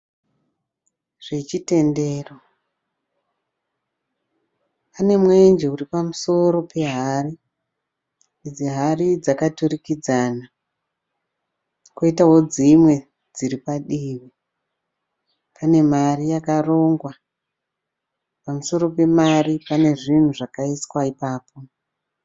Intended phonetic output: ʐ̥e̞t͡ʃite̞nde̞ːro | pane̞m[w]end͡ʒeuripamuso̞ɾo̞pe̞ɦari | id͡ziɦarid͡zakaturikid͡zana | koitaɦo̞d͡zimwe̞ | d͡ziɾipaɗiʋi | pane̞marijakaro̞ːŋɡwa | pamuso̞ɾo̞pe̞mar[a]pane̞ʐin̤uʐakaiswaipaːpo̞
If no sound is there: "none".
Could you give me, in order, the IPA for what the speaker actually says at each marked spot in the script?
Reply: w, i

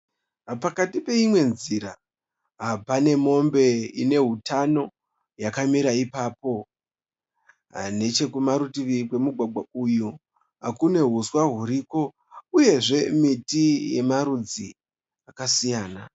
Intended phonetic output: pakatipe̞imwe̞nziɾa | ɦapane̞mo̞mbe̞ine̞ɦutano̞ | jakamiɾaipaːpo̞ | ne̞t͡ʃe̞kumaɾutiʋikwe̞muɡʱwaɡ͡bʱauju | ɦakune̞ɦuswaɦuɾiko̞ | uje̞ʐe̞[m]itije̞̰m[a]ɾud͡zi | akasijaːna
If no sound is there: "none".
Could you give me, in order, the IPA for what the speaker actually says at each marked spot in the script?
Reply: m, a

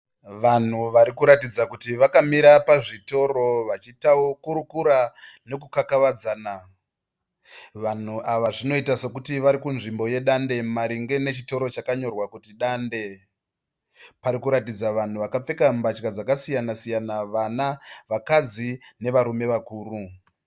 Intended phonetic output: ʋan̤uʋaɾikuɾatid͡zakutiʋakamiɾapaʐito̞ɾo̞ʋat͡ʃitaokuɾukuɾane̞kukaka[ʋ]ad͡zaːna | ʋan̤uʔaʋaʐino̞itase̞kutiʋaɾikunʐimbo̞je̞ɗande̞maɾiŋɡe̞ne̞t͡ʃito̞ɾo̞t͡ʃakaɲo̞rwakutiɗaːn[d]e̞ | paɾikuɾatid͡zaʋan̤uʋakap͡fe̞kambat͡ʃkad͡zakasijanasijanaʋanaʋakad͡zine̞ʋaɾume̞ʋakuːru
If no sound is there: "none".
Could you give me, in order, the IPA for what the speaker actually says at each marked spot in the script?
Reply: ʋ, d

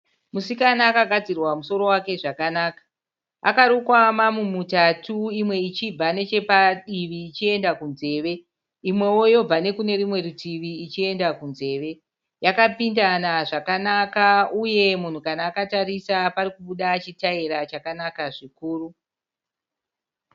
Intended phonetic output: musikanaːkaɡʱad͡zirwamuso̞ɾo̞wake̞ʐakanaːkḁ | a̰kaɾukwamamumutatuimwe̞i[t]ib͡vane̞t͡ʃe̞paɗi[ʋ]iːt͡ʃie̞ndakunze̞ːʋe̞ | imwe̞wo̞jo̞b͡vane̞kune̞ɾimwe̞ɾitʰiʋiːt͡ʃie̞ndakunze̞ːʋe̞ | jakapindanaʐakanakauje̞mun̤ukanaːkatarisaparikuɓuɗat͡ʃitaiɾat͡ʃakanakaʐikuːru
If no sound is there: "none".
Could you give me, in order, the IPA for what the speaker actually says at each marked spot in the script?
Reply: t͡ʃ, ʋ

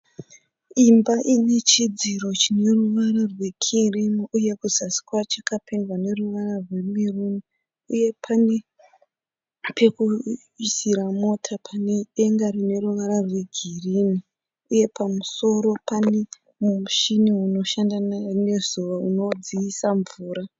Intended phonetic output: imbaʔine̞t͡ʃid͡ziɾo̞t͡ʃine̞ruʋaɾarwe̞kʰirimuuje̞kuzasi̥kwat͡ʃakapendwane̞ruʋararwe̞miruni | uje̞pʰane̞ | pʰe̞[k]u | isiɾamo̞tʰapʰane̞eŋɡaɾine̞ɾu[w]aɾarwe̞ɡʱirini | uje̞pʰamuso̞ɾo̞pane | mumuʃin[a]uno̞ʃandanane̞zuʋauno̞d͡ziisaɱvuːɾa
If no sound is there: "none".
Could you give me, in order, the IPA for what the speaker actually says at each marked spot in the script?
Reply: k, ʋ, i

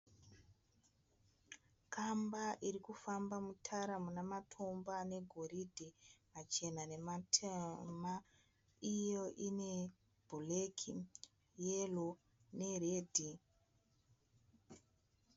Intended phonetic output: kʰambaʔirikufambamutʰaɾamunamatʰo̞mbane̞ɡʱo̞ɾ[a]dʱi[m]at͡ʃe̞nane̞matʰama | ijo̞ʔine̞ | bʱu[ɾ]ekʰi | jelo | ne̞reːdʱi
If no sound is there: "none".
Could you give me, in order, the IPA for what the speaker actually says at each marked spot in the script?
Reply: i, m, l

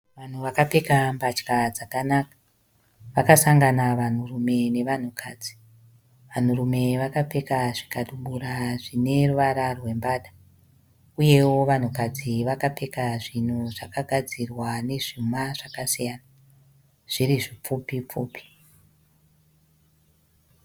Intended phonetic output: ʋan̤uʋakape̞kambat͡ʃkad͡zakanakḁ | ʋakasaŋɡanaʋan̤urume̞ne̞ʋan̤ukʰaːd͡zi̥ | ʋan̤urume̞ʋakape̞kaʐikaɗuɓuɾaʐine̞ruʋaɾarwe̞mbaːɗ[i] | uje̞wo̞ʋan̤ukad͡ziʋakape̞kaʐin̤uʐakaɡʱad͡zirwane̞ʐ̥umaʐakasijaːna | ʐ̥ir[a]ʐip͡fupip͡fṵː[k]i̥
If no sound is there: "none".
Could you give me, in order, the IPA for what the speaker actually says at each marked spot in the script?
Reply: a, i, p

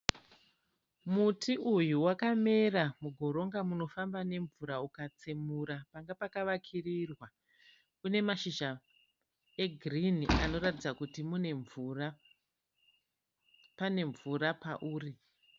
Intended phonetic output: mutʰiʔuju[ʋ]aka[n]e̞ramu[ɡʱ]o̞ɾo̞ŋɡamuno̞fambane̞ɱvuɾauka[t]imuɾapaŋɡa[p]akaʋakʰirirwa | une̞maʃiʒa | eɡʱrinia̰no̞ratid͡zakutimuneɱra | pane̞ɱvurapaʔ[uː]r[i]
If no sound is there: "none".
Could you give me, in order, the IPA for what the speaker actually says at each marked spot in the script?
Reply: w, m, ɡʱ, t͡s, p, uː, i

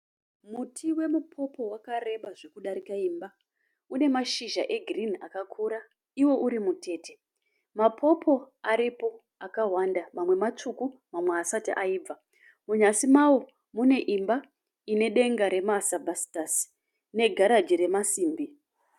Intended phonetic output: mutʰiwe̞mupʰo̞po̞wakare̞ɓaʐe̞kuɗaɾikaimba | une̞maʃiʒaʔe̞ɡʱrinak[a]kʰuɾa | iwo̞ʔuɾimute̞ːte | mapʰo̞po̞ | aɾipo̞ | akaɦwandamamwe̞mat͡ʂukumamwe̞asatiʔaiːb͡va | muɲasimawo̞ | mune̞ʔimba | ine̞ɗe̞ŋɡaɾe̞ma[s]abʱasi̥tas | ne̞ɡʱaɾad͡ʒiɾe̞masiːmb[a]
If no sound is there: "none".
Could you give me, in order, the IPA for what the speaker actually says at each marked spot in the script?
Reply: a, s, i

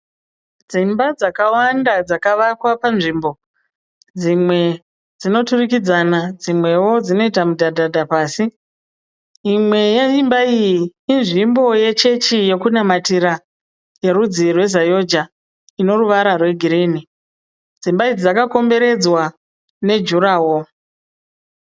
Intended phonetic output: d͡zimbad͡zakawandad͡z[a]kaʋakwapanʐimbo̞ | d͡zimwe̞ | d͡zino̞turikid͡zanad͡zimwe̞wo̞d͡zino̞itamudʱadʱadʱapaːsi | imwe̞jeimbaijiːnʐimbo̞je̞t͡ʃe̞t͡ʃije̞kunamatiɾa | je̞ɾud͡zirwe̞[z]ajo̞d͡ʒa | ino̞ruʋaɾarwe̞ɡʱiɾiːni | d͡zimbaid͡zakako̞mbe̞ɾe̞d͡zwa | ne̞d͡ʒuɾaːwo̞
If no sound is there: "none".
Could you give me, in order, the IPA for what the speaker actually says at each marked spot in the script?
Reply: a, z

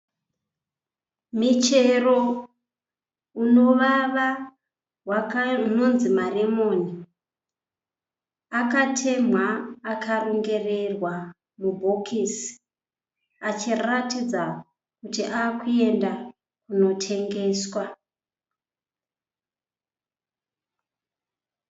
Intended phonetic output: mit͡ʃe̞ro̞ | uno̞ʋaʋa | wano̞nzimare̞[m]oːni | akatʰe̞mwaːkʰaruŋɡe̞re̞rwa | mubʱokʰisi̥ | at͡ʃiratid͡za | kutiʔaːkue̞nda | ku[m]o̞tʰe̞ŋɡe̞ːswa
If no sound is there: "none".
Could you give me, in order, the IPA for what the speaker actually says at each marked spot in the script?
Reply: m, n

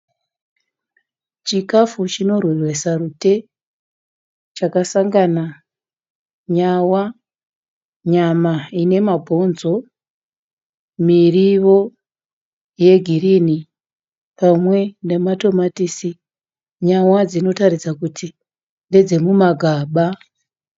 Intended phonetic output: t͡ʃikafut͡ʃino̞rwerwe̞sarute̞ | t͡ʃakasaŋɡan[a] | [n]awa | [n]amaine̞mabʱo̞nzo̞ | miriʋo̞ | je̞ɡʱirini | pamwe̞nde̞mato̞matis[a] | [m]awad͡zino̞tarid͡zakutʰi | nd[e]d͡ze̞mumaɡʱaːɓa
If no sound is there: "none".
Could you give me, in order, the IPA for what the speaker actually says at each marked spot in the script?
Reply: a, ɲ, ɲ, i, ɲ, e

